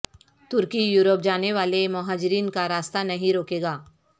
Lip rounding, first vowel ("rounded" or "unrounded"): rounded